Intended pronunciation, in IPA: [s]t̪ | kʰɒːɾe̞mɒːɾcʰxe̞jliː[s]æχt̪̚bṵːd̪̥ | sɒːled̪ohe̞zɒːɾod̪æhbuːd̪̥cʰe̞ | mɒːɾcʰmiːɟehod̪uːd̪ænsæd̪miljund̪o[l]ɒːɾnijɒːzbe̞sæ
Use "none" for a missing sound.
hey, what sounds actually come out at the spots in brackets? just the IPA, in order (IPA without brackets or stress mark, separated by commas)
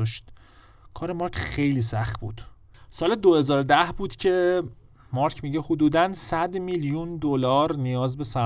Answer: ʃ, s, l